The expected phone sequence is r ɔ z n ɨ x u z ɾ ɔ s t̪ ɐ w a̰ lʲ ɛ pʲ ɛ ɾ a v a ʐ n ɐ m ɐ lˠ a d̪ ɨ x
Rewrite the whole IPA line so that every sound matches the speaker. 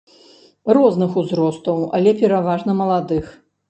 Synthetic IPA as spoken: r ɔ z n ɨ x u z ɾ ɔ s t̪ ɐ w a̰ lʲ ɛ pʲ ɛ ɾ a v a ʐ n ɐ m ɐ lˠ a d̪ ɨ x